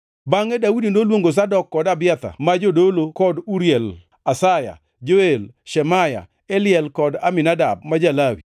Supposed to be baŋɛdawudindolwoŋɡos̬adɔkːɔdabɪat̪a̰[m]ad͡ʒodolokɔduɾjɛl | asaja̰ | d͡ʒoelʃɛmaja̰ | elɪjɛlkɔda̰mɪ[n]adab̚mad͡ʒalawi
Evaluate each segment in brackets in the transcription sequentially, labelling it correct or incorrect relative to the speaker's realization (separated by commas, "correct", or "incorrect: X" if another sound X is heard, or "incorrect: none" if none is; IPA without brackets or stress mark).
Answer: correct, correct